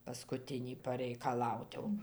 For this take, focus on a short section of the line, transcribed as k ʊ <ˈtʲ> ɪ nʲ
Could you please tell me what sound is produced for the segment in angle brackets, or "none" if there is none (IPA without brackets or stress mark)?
tʲ